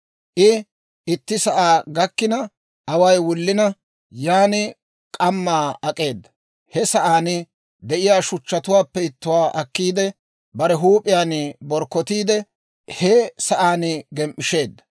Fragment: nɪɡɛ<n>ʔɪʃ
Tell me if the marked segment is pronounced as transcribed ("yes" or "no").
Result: no